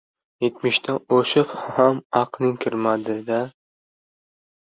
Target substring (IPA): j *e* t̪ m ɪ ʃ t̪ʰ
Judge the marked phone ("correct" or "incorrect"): correct